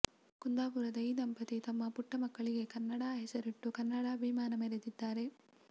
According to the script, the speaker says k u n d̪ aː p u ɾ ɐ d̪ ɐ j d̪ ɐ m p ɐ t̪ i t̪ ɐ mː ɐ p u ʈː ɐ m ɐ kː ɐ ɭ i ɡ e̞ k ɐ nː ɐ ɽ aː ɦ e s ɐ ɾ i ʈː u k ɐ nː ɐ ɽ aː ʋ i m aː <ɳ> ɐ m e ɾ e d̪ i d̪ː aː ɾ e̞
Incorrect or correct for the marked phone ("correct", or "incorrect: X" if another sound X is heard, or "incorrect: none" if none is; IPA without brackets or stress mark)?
incorrect: n